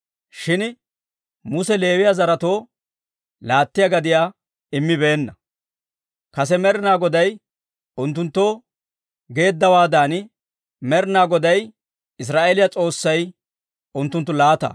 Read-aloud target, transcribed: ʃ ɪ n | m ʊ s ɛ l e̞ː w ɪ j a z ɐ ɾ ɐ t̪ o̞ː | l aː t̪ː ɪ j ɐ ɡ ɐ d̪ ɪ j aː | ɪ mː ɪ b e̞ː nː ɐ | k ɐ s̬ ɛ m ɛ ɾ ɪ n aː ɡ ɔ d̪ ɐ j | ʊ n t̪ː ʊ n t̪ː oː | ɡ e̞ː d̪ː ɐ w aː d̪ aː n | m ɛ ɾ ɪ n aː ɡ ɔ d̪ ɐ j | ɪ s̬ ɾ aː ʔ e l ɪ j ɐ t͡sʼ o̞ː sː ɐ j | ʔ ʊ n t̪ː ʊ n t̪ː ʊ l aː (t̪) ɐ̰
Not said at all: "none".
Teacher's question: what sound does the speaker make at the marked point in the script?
t̪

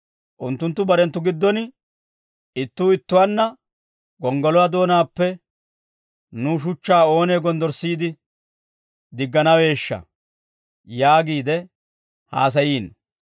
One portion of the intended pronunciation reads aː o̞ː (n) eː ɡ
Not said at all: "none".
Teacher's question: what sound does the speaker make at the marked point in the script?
n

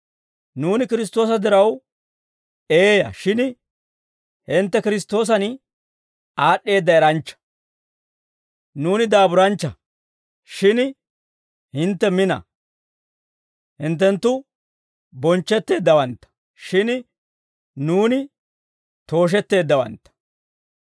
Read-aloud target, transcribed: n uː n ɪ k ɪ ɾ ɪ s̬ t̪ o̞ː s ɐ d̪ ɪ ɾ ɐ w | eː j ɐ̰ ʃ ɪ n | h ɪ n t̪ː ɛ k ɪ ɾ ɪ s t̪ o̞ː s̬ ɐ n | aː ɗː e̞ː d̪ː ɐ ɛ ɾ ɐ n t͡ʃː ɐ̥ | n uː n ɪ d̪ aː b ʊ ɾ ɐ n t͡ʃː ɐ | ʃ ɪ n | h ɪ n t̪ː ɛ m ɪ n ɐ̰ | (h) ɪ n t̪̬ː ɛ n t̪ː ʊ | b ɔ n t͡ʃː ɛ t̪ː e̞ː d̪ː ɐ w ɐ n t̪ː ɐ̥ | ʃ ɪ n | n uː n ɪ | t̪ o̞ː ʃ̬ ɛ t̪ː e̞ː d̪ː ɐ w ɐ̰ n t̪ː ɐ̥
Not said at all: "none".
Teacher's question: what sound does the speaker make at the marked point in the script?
h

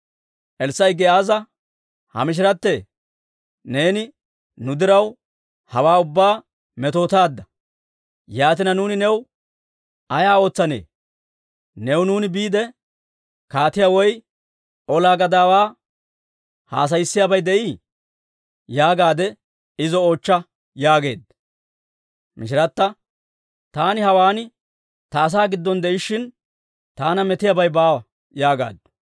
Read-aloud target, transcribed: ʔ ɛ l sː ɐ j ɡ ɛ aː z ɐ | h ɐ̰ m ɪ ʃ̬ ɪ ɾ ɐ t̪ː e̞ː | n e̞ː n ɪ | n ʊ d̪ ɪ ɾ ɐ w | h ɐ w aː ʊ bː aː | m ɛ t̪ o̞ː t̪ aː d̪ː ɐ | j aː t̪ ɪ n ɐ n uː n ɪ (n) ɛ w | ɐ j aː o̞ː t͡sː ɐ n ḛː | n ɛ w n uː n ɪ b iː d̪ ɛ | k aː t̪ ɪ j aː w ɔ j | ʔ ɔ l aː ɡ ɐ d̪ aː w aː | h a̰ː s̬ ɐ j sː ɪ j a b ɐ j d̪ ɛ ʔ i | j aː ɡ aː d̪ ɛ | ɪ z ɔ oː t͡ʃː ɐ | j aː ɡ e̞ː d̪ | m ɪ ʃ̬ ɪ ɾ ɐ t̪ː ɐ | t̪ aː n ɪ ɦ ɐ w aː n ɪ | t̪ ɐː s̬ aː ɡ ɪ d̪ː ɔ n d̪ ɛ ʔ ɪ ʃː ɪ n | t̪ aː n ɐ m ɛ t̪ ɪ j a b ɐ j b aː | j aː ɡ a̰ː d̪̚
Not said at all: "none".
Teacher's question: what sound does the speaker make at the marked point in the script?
n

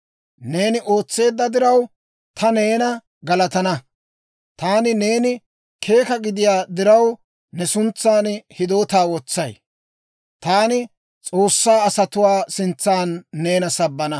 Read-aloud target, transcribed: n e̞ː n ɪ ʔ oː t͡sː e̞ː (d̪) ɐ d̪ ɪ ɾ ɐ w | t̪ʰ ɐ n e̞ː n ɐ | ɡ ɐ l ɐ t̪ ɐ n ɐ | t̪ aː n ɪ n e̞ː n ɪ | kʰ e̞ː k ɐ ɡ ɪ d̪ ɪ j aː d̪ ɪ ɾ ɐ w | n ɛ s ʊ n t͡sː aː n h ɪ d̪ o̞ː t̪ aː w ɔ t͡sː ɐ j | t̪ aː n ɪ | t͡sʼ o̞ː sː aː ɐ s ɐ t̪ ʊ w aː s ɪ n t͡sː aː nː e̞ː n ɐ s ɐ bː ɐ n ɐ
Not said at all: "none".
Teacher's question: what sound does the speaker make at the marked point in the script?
d̪ː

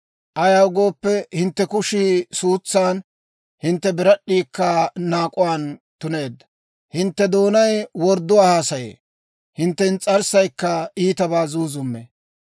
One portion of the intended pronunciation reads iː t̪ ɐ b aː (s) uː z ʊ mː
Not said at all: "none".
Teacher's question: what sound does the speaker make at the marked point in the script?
z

